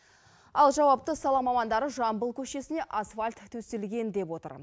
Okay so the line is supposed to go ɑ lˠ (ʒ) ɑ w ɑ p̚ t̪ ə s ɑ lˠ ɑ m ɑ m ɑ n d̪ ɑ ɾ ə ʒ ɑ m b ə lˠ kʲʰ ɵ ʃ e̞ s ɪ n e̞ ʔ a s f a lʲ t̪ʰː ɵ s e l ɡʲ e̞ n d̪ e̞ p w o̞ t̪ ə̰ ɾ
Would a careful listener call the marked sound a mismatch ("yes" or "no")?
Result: no